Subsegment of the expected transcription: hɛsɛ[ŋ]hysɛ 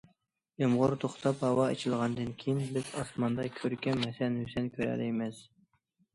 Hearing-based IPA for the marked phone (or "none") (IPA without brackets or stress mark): n